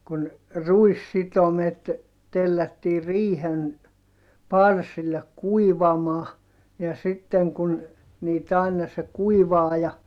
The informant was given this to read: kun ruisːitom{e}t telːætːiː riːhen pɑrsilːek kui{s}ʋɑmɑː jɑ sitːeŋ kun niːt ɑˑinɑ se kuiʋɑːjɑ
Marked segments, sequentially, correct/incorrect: correct, incorrect: none

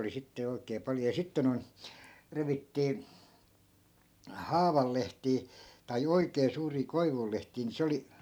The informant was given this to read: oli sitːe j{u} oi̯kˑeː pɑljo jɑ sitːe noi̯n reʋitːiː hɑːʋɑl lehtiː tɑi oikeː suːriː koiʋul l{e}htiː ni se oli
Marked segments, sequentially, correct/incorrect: incorrect: o, correct

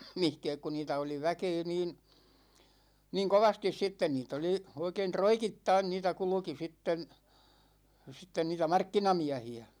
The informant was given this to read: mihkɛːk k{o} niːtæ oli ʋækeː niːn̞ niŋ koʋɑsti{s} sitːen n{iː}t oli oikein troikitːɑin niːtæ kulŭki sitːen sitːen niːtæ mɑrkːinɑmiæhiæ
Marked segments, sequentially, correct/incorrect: incorrect: u, correct, correct

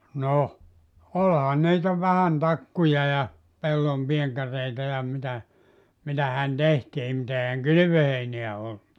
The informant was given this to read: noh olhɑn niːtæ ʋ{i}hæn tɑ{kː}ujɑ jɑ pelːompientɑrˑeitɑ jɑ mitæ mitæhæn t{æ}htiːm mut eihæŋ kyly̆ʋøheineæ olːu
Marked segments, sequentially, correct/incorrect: incorrect: æ, correct, incorrect: e

